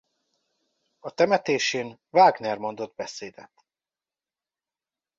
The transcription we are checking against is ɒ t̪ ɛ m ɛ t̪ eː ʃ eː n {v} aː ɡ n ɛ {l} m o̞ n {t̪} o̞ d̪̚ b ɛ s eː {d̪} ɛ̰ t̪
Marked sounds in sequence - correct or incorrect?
correct, incorrect: r, incorrect: d̪, correct

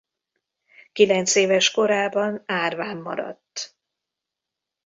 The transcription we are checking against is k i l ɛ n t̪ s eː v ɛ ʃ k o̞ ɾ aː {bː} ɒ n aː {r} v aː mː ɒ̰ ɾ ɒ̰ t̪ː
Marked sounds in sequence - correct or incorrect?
incorrect: b, correct

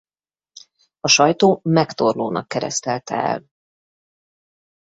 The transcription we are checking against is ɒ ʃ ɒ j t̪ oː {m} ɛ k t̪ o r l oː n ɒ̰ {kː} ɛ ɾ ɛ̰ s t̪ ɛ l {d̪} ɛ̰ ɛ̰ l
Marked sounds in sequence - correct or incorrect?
correct, correct, incorrect: t̪

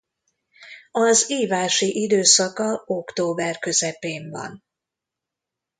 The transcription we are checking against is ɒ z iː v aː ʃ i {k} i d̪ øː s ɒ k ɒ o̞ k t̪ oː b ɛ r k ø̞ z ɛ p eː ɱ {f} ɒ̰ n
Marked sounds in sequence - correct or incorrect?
incorrect: ʔ, incorrect: v

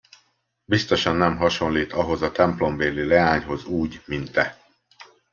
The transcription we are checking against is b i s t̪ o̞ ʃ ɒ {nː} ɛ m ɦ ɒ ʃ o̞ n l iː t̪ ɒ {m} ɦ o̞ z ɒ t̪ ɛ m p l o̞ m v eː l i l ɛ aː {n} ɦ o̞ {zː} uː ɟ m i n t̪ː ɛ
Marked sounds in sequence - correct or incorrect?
correct, incorrect: none, incorrect: ɲ, incorrect: z

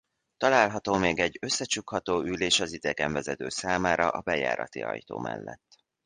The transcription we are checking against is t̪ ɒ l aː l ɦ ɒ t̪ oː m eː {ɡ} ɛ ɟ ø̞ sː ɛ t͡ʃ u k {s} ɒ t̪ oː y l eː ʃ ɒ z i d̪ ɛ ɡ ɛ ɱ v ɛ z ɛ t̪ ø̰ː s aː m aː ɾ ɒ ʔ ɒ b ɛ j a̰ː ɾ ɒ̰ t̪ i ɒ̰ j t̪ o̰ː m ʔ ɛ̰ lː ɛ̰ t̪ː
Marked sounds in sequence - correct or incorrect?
correct, incorrect: h

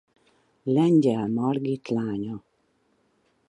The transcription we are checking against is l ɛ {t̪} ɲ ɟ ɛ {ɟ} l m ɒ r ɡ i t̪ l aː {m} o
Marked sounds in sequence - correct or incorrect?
incorrect: none, incorrect: none, incorrect: ɲ

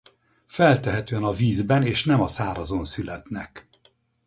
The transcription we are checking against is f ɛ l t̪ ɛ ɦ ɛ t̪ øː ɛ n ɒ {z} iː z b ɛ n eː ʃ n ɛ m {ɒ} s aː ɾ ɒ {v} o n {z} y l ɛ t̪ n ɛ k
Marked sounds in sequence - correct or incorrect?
incorrect: v, correct, incorrect: z, incorrect: s

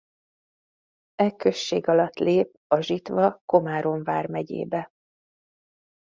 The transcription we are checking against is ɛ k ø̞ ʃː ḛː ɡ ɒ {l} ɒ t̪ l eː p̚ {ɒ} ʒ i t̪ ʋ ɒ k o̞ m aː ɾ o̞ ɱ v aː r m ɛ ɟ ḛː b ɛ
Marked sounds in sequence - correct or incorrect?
correct, correct

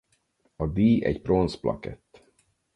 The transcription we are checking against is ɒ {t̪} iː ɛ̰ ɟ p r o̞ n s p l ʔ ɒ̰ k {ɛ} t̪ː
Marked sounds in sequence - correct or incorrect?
incorrect: d̪, correct

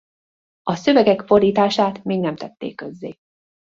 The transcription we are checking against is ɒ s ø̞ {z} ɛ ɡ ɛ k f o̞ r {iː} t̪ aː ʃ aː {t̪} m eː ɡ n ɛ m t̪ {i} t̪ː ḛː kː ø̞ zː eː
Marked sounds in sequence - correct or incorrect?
incorrect: v, correct, correct, incorrect: ɛ

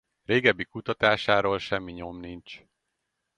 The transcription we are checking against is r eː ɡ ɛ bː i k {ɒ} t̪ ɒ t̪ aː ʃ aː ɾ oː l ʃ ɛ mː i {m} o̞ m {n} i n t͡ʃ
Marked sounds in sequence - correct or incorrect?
incorrect: u, incorrect: ɲ, correct

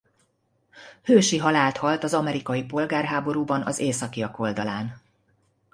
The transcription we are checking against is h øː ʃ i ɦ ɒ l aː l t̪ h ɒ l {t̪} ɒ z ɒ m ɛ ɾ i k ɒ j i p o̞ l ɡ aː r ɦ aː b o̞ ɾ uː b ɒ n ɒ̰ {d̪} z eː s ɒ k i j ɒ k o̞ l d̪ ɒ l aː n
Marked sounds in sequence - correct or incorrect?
correct, incorrect: none

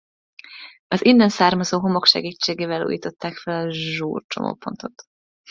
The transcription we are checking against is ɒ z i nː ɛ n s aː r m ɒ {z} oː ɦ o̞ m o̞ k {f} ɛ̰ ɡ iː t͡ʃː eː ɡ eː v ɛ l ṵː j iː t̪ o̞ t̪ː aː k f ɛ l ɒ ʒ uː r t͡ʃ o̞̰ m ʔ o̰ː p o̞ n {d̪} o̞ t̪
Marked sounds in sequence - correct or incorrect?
correct, incorrect: ʃ, incorrect: t̪

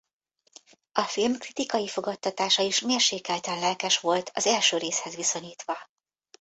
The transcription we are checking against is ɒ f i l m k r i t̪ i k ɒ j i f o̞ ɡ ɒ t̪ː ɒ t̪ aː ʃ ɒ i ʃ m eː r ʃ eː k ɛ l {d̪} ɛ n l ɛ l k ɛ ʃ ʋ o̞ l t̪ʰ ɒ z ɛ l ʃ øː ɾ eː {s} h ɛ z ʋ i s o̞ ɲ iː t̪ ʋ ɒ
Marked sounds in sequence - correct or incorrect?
incorrect: t̪, correct

